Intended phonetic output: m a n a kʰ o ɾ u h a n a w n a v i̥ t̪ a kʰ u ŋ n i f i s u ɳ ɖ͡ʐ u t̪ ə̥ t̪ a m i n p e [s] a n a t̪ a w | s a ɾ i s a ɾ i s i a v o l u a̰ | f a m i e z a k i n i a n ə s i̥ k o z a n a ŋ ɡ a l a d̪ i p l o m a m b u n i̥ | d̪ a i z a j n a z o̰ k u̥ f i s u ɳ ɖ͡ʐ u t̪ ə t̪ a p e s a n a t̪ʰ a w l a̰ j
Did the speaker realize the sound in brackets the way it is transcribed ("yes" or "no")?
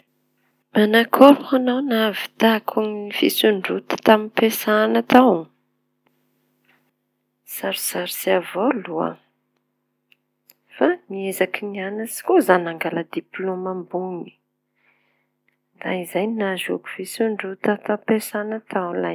yes